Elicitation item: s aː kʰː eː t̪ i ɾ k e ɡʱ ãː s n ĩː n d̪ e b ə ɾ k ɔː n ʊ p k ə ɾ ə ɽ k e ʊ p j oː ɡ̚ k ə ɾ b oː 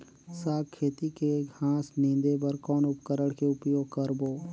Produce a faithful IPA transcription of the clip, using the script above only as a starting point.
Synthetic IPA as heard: s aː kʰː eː t̪ i k e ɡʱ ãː s n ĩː n d̪ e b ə ɾ k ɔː n ʊ p k ə ɾ ə ɽ k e ʊ p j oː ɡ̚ k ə ɾ b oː

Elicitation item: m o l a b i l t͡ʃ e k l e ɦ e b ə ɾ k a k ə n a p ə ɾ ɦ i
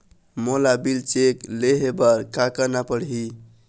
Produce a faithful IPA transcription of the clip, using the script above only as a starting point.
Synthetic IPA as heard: m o l a b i l t͡ʃ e k l e ɦ e b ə ɾ k a k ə n a p ə ɽ ɦ i

